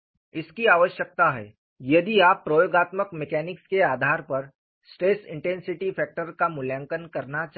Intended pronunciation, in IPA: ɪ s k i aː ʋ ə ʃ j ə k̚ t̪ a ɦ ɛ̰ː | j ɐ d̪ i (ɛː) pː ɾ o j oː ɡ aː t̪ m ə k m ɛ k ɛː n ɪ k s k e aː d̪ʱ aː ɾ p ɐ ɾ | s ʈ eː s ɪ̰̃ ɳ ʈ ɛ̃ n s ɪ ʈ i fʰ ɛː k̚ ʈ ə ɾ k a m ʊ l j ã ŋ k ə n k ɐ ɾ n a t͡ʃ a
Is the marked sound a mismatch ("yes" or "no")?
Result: yes